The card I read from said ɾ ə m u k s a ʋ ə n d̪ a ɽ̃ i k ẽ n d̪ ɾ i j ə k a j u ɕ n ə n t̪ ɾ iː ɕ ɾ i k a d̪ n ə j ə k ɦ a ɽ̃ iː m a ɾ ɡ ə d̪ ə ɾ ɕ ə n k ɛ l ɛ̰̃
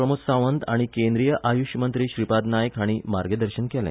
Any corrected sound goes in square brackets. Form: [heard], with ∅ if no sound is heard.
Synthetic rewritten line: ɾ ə m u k s a ʋ ə n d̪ a ɽ̃ i k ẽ n d̪ ɾ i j ə [ʔ] a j u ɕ [m] ə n t̪ ɾ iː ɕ ɾ i [p] a d̪ n [a] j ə k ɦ a ɽ̃ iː m a ɾ ɡ ə d̪ ə ɾ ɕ ə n k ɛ l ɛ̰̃

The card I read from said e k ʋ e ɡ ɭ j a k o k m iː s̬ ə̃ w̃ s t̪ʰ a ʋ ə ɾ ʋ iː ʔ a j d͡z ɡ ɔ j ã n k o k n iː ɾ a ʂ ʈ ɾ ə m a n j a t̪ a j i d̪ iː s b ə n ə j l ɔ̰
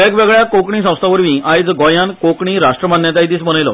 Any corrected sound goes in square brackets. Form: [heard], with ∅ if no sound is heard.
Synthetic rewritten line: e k ʋ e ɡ ɭ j a k o k [ɳ] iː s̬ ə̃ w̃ s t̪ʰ a ʋ ə ɾ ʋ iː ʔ a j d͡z ɡ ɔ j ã n k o k [ɳ] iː ɾ a ʂ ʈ ɾ ə m a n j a t̪ a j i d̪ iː s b ə n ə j l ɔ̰

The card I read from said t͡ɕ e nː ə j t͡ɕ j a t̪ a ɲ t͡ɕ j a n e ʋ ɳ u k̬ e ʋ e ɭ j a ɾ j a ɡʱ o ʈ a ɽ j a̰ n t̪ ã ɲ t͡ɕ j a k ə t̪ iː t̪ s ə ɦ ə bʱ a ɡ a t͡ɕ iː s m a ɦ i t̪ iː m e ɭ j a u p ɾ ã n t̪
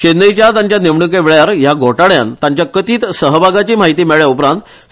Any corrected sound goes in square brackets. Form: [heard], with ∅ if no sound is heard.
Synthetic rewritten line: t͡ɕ e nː ə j t͡ɕ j a t̪ a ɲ t͡ɕ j a n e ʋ ɳ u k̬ e ʋ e ɭ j a ɾ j a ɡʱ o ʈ a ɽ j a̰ n t̪ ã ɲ t͡ɕ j a k ə t̪ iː t̪ s ə ɦ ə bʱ a ɡ a t͡ɕ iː [∅] m a ɦ i t̪ iː m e ɭ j a u p ɾ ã n t̪

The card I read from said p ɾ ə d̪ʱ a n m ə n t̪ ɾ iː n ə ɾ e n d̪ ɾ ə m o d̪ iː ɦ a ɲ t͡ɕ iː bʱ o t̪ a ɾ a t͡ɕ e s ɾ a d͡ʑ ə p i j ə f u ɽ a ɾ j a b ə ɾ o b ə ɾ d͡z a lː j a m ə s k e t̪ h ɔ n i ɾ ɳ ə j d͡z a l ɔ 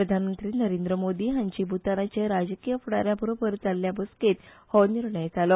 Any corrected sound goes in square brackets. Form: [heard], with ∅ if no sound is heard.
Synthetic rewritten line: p ɾ ə d̪ʱ a n m ə n t̪ ɾ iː n ə ɾ e n d̪ ɾ ə m o d̪ iː ɦ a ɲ t͡ɕ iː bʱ [u] t̪ a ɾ a t͡ɕ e [∅] ɾ a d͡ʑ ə [k] i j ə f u ɽ a ɾ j a b ə ɾ o b ə ɾ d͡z a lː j a [b] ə s k e t̪ h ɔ n i ɾ ɳ ə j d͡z a l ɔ

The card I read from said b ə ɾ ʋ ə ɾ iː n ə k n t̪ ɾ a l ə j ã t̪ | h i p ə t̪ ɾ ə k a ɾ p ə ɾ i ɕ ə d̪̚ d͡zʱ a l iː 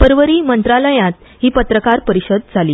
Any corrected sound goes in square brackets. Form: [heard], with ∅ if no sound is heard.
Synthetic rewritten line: [p] ə ɾ ʋ ə ɾ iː [m] ə [∅] n t̪ ɾ a l ə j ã t̪ | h [iː] p ə t̪ ɾ ə k a ɾ p ə ɾ i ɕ ə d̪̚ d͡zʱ a l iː

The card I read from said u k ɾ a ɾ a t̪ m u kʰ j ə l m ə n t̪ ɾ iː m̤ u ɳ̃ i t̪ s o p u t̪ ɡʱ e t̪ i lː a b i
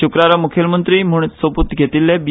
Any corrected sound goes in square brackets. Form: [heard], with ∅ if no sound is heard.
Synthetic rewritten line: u k ɾ a ɾ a [∅] m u kʰ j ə l m ə n t̪ ɾ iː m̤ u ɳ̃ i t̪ s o p u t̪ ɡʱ e t̪ i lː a b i

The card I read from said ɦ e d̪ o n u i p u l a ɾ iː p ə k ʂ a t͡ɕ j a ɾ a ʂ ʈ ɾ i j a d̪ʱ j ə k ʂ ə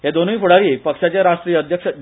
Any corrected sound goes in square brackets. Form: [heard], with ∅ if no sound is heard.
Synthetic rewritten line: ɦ e d̪ o n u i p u [ɽ] a ɾ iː p ə k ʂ a t͡ɕ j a ɾ a ʂ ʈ ɾ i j [ə] d̪ʱ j ə k ʂ ə

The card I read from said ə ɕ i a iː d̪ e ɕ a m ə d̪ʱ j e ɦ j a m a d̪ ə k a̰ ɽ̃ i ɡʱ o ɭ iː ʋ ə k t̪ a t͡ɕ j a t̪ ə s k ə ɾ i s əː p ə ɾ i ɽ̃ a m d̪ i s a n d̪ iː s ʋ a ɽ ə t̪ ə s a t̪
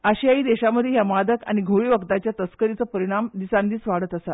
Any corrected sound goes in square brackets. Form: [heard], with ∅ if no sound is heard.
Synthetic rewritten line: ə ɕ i a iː d̪ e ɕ a m ə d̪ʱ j e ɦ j a m a d̪ ə k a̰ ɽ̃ i ɡʱ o ɭ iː ʋ ə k t̪ a t͡ɕ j a t̪ ə s k ə ɾ i [t͡s] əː p ə ɾ i ɽ̃ a m d̪ i s a n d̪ iː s ʋ a ɽ ə t̪ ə s a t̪

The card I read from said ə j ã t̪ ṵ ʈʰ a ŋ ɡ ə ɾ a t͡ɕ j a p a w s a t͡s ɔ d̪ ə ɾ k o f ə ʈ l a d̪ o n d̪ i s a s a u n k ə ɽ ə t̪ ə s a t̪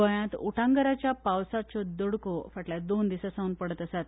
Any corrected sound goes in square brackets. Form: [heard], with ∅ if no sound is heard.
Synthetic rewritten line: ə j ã t̪ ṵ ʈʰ a ŋ ɡ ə ɾ a t͡ɕ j a p a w s a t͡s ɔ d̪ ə [ɽ] k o f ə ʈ l a d̪ o n d̪ i s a s a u n [p] ə ɽ ə t̪ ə s a t̪

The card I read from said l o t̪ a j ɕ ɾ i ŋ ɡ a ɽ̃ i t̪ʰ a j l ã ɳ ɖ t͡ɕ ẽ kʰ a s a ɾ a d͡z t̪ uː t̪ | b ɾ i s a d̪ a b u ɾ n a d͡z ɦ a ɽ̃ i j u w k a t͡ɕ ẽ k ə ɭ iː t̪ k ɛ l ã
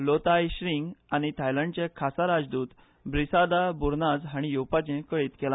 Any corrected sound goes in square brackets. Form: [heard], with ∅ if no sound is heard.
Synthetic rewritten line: l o t̪ a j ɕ ɾ i ŋ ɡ a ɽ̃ i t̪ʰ a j l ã ɳ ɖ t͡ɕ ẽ kʰ a s a ɾ a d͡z [d̪] uː t̪ | b ɾ i s a d̪ a b u ɾ n a d͡z ɦ a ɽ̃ i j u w [p] a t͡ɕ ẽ k ə ɭ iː t̪ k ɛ l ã

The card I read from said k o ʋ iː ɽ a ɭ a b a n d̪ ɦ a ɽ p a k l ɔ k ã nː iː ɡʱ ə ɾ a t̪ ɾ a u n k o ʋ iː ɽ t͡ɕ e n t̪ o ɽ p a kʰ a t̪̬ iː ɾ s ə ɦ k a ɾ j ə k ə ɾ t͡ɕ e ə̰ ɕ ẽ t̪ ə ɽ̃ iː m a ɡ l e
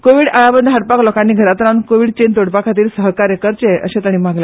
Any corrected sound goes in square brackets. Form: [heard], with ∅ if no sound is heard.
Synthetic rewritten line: k o ʋ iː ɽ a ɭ a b [ə] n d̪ ɦ a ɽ p a k l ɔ k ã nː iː ɡʱ ə ɾ a t̪ ɾ a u n k o ʋ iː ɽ t͡ɕ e n t̪ o ɽ p a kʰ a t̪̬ iː ɾ s ə ɦ k a ɾ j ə k ə ɾ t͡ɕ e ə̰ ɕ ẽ t̪ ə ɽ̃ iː m a ɡ l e

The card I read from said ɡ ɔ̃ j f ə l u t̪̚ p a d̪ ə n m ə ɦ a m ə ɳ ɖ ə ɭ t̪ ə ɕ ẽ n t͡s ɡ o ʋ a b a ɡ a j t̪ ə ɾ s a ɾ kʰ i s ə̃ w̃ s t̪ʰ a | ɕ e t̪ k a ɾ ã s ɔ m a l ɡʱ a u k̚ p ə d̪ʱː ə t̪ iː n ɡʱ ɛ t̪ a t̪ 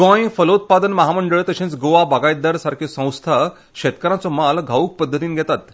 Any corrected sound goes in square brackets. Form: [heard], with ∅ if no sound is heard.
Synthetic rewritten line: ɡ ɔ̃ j f ə l u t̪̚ p a d̪ ə n m ə ɦ a m ə ɳ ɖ ə ɭ t̪ ə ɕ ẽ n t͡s ɡ o ʋ a b a ɡ a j [d̪] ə ɾ s a ɾ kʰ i s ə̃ w̃ s t̪ʰ a | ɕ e t̪ k [ə] ɾ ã [t͡s] ɔ m a l ɡʱ a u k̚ p ə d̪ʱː ə t̪ iː n ɡʱ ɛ t̪ a t̪

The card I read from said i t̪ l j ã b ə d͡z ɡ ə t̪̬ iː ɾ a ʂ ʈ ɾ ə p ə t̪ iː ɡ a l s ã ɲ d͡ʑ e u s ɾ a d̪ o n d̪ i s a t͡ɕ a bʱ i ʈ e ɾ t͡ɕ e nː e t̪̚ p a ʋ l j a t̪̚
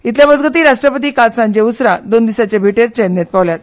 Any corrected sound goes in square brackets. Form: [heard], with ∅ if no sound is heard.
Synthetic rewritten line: i t̪ l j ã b ə d͡z ɡ ə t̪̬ iː ɾ a ʂ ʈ ɾ ə p ə t̪ iː [k] a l s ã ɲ d͡ʑ e u s ɾ a d̪ o n d̪ i s a t͡ɕ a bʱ i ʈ e ɾ t͡ɕ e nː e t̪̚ p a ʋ l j a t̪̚

